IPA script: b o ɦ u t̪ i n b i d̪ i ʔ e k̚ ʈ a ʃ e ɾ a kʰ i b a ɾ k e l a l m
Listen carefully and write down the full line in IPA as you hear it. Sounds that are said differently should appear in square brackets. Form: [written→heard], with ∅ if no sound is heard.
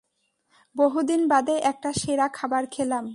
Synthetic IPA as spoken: b o ɦ u [t̪→d̪] i n b [i→a] d̪ [i→e] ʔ [e→ɛ] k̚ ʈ a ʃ e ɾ a kʰ [i→a] b a ɾ [k→kʰ] e l a [l→∅] m